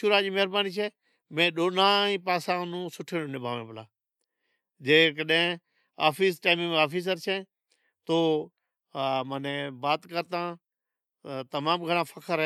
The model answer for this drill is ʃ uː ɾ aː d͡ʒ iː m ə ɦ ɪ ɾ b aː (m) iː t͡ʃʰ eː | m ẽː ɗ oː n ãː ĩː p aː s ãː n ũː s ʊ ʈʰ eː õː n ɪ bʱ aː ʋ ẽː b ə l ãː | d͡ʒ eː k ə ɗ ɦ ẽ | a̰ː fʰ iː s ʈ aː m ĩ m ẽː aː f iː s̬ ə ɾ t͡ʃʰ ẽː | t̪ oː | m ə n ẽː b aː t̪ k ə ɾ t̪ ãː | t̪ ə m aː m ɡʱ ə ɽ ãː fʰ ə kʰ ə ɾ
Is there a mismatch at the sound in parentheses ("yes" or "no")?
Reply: yes